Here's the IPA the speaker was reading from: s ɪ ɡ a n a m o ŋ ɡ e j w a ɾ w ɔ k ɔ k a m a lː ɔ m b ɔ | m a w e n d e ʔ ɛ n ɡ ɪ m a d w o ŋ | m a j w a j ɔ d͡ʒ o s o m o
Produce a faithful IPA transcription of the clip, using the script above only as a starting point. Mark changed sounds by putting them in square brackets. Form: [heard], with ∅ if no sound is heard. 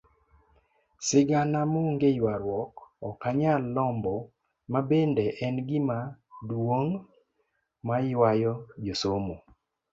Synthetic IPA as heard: s ɪ ɡ a n a m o ŋ ɡ e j w a ɾ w ɔ k ɔ k a [ɲ] a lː ɔ m b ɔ | m a [b] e n d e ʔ ɛ n ɡ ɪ m a d w o ŋ | m a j w a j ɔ d͡ʒ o s o m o

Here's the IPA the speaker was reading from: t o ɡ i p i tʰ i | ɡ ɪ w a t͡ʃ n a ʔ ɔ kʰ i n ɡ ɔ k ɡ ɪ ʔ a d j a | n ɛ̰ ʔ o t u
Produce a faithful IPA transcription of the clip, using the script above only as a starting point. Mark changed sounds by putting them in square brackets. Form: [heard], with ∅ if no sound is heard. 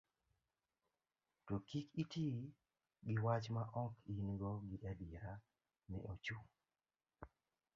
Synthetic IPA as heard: t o [k] i [k] i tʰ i | ɡ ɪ w a t͡ʃ [m] a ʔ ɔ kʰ i n ɡ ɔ [∅] ɡ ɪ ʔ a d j a | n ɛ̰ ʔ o [t͡ʃ] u

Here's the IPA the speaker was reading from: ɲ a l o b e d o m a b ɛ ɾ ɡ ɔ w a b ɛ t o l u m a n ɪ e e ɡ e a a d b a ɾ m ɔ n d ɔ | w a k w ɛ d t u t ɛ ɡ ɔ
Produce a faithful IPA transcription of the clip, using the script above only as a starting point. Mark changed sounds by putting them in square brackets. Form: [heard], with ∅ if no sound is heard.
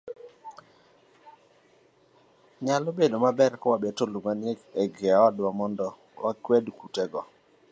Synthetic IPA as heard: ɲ a l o b e d o m a b ɛ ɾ [k] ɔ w a b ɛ t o l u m a n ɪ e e ɡ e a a d [w] a [∅] m ɔ n d ɔ | w a k w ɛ d [k] u t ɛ ɡ ɔ

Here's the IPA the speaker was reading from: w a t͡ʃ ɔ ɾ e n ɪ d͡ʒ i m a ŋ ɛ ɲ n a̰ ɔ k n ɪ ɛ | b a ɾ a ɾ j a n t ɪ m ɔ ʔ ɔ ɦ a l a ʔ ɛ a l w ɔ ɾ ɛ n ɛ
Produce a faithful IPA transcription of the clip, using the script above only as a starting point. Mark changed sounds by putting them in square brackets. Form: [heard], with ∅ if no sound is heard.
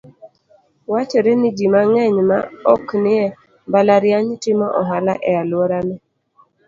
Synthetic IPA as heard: w a t͡ʃ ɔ ɾ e n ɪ d͡ʒ i m a ŋ ɛ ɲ [m] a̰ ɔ k n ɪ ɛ | b a [l] a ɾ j a [ɲ] t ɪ m ɔ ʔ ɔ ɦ a l a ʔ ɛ a l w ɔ ɾ [a] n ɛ

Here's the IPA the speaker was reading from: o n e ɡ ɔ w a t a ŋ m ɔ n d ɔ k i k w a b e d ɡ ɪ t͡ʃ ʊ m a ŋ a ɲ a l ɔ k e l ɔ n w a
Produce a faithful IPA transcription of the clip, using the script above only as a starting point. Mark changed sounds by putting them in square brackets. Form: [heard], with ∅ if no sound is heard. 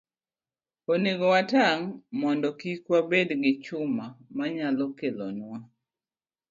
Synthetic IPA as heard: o n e ɡ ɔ w a t a ŋ m ɔ n d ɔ k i k w a b e d ɡ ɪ t͡ʃ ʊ m a [m] a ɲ a l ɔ k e l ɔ n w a

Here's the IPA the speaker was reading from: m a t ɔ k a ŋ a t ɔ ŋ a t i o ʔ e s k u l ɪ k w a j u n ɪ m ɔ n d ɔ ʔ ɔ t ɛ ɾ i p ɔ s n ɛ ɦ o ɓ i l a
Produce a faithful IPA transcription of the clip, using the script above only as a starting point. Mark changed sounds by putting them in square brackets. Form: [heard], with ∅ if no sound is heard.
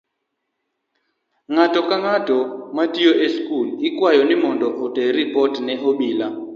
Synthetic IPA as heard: [ŋ] a t ɔ k a ŋ a t ɔ [m] a t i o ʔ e s k u l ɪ k w a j [ɔ] n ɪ m ɔ n d ɔ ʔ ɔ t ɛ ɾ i p ɔ [t] n ɛ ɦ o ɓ i l a

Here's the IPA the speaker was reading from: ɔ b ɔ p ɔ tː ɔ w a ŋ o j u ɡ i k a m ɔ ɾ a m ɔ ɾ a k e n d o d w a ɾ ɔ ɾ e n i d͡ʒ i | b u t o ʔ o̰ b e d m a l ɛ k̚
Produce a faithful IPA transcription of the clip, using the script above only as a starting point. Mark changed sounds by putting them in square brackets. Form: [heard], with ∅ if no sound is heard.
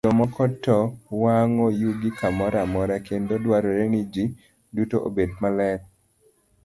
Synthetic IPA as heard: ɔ [m] ɔ [k] ɔ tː ɔ w a ŋ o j u ɡ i k a m ɔ ɾ a m ɔ ɾ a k e n d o d w a ɾ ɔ ɾ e n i d͡ʒ i | [d] u t o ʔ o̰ b e d m a l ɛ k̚

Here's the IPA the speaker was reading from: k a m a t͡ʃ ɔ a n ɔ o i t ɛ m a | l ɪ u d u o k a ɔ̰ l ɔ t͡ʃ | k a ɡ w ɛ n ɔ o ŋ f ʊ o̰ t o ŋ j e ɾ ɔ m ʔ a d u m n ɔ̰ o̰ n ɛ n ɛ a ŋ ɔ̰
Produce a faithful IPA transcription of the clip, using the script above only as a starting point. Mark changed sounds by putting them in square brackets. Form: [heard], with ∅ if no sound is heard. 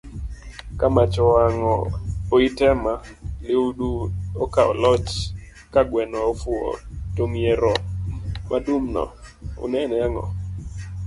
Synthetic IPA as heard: k a m a t͡ʃ ɔ a [ŋ] ɔ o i t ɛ m a | l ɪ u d u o k a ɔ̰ l ɔ t͡ʃ | k a ɡ w ɛ n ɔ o [∅] f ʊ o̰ t o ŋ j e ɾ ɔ m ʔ a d u m n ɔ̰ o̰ n ɛ n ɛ a ŋ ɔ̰

